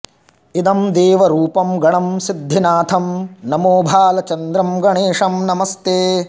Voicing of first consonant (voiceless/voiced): voiced